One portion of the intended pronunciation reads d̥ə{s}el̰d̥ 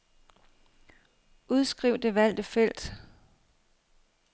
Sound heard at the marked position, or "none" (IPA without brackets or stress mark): f